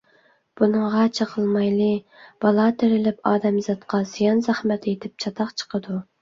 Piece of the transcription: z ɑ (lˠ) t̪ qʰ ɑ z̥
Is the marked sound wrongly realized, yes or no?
yes